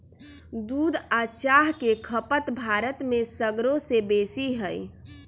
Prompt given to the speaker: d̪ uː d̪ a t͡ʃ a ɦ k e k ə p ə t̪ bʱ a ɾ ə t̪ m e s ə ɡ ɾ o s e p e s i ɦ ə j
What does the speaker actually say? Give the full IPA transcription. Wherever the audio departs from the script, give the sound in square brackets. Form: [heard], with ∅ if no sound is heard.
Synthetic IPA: d̪ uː d̪ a t͡ʃ a ɦ k e [kʰ] ə p ə t̪ bʱ a ɾ ə t̪ m e s ə ɡ ɾ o s e [b] e s i ɦ ə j